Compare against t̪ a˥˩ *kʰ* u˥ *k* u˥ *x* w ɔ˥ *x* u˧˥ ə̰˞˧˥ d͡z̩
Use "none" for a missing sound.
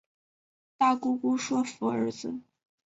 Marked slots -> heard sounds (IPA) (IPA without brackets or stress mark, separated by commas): k, k, ʂ, f